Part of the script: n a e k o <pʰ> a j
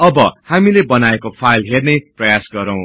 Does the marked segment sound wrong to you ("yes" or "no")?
no